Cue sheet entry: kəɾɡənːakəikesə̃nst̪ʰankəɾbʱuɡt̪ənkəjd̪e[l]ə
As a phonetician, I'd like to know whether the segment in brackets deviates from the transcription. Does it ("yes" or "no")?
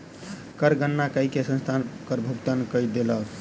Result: no